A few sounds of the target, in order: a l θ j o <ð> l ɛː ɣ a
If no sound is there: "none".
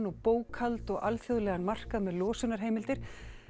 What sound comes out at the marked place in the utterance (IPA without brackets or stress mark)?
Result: ð